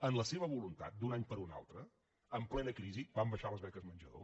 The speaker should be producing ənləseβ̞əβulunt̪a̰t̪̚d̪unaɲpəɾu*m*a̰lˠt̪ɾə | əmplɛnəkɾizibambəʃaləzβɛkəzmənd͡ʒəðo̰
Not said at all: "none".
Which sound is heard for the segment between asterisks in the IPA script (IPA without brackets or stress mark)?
n